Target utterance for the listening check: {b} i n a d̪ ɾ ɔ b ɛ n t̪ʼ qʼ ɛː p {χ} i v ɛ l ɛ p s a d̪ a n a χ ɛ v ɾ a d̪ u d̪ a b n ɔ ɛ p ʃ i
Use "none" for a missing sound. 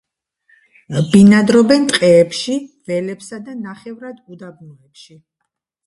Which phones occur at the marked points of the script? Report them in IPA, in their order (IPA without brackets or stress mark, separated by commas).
b, ʃ